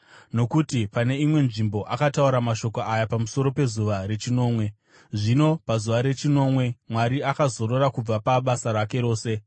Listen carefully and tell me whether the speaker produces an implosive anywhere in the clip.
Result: yes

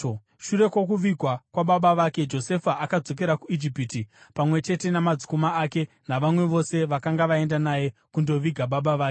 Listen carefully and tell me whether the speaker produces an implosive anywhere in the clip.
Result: yes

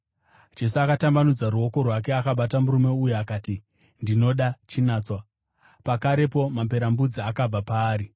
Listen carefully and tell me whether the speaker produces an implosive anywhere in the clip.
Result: yes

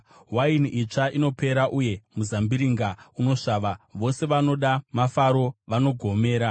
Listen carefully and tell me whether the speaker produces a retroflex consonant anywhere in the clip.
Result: yes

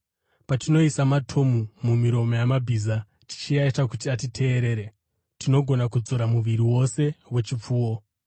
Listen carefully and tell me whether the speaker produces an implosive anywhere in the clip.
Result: no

